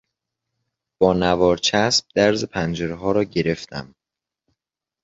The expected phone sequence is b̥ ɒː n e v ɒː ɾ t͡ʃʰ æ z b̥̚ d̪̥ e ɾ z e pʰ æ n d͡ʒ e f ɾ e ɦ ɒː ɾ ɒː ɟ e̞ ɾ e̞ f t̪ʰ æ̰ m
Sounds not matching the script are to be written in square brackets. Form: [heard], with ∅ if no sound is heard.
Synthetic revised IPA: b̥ ɒː n [æ] v ɒː ɾ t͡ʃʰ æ [s] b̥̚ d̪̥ [æ] ɾ z e pʰ æ n d͡ʒ e [∅] ɾ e ɦ ɒː ɾ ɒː ɟ e̞ ɾ e̞ f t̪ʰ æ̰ m